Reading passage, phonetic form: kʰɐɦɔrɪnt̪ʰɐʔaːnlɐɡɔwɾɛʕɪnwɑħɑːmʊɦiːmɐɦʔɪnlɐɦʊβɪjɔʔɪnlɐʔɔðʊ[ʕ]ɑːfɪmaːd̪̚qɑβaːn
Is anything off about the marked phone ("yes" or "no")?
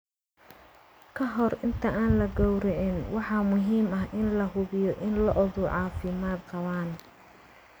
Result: no